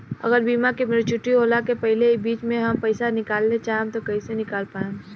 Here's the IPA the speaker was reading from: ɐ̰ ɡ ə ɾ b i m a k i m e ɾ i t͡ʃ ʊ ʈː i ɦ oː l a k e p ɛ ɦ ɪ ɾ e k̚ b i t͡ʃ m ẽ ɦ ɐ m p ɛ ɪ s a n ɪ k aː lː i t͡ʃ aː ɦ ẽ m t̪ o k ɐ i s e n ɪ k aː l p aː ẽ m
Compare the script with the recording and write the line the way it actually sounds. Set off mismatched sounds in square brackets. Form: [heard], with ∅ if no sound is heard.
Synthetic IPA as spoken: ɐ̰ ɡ ə ɾ b [iː] m a k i m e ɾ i t͡ʃ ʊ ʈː i ɦ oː l a k e p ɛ ɦ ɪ [l] e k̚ b [iː] t͡ʃ m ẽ ɦ ɐ m p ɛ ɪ s a n ɪ k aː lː [e] t͡ʃ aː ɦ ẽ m t̪ o k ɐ i s e n ɪ k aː l p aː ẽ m